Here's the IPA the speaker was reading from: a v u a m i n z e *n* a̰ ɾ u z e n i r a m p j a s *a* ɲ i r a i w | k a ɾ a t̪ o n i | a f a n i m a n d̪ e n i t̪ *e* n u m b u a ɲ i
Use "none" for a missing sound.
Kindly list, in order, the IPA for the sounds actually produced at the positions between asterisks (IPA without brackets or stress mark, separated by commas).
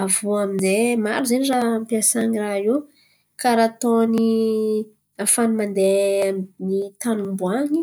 m, a, a